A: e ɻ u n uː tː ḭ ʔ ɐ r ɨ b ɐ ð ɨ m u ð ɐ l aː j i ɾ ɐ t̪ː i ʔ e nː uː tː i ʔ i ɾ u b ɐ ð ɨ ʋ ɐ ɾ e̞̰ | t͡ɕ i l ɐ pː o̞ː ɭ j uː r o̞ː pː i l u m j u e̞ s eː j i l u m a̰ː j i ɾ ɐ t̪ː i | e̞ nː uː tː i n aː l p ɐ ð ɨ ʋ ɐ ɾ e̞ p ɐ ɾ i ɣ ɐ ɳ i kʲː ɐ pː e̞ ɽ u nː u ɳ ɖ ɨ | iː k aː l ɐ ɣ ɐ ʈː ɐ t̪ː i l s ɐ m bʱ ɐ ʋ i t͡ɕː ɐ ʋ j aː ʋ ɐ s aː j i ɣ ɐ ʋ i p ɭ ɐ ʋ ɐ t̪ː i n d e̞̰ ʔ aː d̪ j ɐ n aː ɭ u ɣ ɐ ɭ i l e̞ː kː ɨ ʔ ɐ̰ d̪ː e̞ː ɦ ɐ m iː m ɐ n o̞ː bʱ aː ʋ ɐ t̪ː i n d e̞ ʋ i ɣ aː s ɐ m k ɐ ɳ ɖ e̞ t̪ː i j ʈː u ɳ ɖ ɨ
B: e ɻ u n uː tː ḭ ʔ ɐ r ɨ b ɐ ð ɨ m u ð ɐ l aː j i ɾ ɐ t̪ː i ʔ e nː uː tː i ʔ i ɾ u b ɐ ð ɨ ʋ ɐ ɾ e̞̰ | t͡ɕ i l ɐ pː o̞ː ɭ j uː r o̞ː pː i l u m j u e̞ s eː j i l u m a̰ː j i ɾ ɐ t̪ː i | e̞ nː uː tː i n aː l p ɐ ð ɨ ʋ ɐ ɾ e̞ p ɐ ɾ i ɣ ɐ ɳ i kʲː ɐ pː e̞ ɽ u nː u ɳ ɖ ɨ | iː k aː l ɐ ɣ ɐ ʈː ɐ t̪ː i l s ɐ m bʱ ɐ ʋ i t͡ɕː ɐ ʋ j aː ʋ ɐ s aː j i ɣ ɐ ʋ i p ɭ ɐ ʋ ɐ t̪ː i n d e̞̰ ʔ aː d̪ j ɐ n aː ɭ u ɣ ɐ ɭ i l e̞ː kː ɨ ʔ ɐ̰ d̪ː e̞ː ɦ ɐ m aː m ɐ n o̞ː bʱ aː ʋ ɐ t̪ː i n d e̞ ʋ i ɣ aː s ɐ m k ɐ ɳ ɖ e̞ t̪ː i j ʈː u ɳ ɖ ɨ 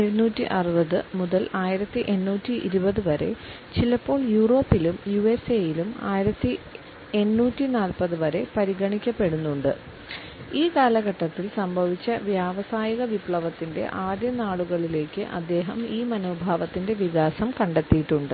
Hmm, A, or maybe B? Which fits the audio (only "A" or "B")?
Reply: A